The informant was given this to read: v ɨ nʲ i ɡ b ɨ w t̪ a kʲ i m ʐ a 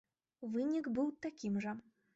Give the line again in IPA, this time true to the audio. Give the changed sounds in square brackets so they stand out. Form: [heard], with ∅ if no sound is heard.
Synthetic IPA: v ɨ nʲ i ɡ b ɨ w t̪ a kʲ i m ʐ [ɐ]